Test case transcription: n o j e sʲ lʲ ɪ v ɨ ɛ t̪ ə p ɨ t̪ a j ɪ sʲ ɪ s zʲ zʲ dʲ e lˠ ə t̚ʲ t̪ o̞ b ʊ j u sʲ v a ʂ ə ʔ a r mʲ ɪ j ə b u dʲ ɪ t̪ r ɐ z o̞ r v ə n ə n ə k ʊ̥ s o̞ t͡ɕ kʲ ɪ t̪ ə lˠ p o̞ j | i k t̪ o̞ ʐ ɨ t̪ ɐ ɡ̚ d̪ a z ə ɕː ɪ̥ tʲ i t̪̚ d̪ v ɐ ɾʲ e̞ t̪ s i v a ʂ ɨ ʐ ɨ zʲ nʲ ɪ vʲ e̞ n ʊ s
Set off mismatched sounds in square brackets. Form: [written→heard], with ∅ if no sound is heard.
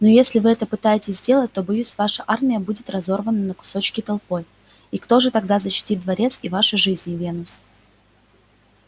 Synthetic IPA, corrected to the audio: n o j e sʲ lʲ ɪ v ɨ ɛ t̪ ə p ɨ t̪ a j ɪ [sʲ→tʲ] ɪ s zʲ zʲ dʲ e lˠ ə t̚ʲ t̪ o̞ b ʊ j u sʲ v a ʂ ə ʔ a r mʲ ɪ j ə b u dʲ ɪ t̪ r ɐ z o̞ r v ə n ə n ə k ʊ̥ s o̞ t͡ɕ kʲ ɪ t̪ [ə→ɐ] lˠ p o̞ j | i k t̪ o̞ ʐ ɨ t̪ ɐ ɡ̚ d̪ a z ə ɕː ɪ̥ tʲ i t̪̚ d̪ v ɐ ɾʲ e̞ t̪ s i v a ʂ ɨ ʐ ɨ zʲ nʲ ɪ vʲ e̞ n ʊ s